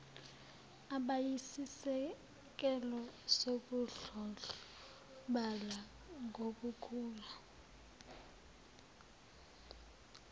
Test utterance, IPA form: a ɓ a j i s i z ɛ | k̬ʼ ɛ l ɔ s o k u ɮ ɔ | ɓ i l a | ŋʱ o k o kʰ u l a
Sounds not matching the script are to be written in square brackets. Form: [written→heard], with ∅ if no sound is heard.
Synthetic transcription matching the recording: a ɓ a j i s i [z→s] ɛ | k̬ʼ ɛ l ɔ s o k u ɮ ɔ | ɓ [i→a] l a | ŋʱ o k [o→u] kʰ [u→uː] l a

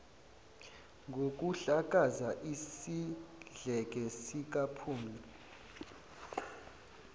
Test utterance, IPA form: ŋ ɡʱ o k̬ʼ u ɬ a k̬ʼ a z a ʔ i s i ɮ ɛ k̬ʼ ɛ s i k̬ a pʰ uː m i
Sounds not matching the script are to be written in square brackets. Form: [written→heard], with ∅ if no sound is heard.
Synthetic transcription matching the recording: ŋ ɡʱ o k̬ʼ u ɬ a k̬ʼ a z a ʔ i s i ɮ ɛ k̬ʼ ɛ s i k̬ a pʰ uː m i

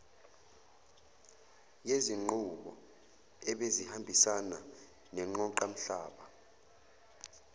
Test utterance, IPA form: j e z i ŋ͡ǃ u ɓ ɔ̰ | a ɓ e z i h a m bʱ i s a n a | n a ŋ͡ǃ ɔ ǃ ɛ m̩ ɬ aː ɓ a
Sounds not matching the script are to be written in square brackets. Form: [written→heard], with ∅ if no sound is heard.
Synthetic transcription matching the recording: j e z i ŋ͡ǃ u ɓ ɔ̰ | [a→ɛ] ɓ e z i h a m bʱ i s a n a | n [a→ɛ] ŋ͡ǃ ɔ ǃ [ɛ→a] m̩ ɬ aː ɓ a

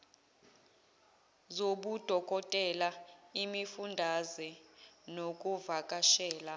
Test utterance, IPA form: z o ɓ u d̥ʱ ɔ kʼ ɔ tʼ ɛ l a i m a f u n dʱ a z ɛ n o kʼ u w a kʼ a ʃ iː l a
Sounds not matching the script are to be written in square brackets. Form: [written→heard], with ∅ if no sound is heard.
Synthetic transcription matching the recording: z o ɓ u d̥ʱ ɔ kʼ ɔ tʼ ɛ l a i m [a→i] f u n dʱ a z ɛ n o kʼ u [w→v] a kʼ a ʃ [iː→ɛː] l a

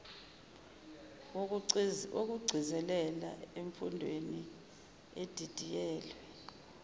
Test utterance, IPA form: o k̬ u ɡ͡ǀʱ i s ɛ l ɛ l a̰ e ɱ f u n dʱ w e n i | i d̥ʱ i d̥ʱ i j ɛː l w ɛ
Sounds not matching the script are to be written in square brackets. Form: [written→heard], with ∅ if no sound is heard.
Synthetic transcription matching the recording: o k̬ u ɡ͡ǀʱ i [s→z] ɛ l ɛ l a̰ e ɱ f u n dʱ w e n i | [i→e] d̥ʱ i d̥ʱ i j ɛː l w ɛ

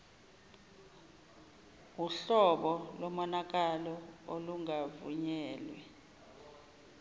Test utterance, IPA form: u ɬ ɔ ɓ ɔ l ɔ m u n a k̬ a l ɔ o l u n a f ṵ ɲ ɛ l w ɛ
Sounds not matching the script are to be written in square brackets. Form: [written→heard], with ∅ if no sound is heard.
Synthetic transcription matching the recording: u ɬ ɔ ɓ ɔ l ɔ m [u→ɔ] n a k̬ a l ɔ o l u [n→ŋ] a [f→v] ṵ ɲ [ɛ→ɛː] l w ɛ

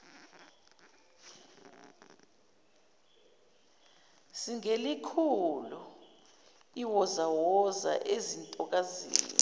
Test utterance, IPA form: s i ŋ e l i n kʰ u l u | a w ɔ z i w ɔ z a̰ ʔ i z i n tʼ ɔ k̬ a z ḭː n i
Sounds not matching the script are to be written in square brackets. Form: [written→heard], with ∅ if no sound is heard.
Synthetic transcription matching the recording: s i ŋ e l i [n→∅] kʰ u l u | [a→i] w ɔ z [i→a] w ɔ z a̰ ʔ [i→e] z i n tʼ ɔ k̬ a z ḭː n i

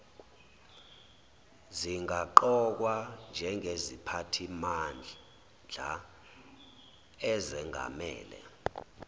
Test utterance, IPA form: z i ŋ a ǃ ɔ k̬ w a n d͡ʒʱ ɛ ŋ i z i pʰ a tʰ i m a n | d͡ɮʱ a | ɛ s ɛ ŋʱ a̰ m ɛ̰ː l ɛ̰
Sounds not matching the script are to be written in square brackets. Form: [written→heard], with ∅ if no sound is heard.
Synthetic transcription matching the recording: z i ŋ a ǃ ɔ k̬ w a n d͡ʒʱ ɛ ŋ [i→e] z i pʰ a tʰ i m a n | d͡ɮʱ a | ɛ [s→z] ɛ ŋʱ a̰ m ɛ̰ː l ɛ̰

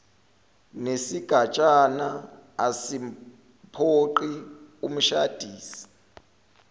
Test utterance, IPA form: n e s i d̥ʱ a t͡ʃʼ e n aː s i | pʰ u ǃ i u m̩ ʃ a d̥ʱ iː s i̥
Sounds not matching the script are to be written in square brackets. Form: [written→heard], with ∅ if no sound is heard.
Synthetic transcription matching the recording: n e s i [d̥ʱ→ɡ̥ʱ] a t͡ʃʼ [e→a] n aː s i | pʰ [u→o] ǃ i u m̩ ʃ a d̥ʱ iː s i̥

